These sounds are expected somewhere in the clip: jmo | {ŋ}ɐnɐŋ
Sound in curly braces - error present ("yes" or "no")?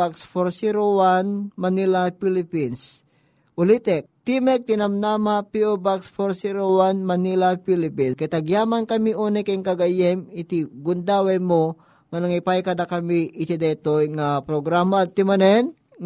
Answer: no